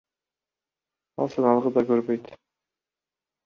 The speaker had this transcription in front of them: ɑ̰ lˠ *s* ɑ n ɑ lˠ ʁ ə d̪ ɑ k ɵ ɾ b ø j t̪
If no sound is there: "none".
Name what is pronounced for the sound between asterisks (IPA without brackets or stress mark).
s